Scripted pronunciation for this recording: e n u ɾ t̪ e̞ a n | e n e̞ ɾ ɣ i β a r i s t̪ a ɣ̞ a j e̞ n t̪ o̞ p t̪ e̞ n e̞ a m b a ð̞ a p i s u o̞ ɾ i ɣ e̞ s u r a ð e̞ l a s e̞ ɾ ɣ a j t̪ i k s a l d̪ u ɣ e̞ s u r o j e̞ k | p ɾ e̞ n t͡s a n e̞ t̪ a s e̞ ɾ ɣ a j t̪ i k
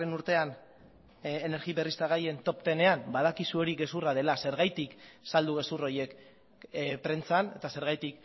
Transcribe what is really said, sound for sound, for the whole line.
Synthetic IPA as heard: e n u ɾ t̪ e̞ a n | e n e̞ ɾ ɣ i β e r i s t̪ a ɣ̞ a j e̞ n t̪ o̞ p t̪ e̞ n e̞ a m b a ð̞ a k i s u o̞ ɾ i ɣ e̞ s u r a ð e̞ l a s e̞ ɾ ɣ a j t̪ i k s a l d̪ u ɣ e̞ s u r o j e̞ k | p ɾ e̞ n t͡s a n e̞ t̪ a s e̞ ɾ ɣ a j t̪ i k